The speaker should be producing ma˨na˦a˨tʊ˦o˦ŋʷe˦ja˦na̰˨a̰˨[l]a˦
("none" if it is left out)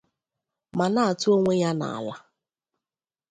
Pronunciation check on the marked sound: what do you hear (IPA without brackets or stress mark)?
l